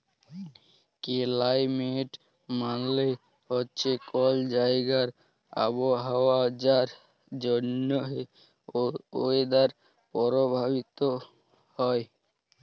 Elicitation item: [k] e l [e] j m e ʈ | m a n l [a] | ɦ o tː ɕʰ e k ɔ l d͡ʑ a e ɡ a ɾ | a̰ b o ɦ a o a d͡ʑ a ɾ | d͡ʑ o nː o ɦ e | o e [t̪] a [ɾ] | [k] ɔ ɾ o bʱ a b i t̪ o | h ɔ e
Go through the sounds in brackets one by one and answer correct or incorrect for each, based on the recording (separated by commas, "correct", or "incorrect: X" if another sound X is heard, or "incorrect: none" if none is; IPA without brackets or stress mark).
correct, incorrect: a, incorrect: e, incorrect: d̪, correct, incorrect: p